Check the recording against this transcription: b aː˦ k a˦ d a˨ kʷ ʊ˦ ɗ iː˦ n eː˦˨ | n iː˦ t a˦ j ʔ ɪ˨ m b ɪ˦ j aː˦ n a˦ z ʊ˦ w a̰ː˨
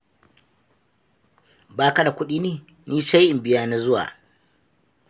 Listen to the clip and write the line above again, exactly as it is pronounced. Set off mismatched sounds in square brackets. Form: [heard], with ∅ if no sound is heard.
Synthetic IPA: b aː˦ k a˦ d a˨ kʷ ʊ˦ ɗ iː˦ n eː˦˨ | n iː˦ [s] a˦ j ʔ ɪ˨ m b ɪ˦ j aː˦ n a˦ z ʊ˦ w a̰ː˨